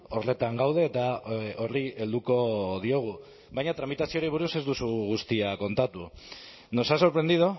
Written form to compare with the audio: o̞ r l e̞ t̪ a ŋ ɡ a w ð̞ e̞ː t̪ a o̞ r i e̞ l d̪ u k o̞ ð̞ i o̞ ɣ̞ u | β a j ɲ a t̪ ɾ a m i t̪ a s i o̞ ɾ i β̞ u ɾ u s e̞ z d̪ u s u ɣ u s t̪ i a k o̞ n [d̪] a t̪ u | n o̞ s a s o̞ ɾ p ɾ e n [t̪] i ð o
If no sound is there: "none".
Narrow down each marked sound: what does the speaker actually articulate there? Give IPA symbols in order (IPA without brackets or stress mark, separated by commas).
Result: t̪, d̪